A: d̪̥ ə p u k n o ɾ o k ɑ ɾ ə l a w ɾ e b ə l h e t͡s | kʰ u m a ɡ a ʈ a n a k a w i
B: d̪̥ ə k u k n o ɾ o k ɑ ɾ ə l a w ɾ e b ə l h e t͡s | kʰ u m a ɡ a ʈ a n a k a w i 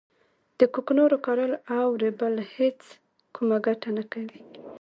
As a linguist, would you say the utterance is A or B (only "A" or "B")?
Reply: B